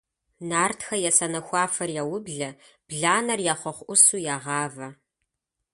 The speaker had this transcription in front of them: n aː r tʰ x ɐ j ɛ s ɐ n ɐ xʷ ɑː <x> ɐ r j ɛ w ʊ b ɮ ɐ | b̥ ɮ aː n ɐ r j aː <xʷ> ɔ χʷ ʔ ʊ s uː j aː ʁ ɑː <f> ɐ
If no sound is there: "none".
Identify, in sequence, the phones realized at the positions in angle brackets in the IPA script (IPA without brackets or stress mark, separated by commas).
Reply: f, χʷ, v